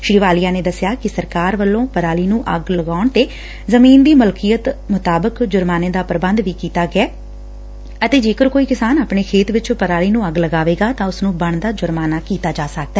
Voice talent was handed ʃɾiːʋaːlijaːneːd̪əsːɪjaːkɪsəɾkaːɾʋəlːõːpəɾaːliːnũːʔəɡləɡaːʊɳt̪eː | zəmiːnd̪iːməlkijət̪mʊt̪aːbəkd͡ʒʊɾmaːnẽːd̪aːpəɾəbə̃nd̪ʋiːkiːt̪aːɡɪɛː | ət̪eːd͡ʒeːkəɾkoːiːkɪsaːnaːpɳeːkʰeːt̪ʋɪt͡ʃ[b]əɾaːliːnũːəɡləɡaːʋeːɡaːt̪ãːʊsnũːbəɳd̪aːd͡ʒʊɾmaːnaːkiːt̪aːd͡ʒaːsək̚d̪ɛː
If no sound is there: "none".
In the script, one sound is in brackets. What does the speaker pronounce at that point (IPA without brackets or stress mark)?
p